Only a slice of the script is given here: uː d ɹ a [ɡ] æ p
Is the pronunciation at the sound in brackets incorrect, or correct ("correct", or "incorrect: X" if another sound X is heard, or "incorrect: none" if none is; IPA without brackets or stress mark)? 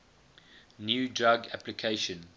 correct